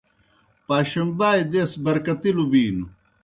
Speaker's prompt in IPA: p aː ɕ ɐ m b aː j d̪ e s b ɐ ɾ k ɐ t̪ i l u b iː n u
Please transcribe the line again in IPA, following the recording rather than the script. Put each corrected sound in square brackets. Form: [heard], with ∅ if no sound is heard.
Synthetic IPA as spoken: p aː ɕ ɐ m b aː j d̪ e s b ɐ ɾ k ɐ t̪ i l u b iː n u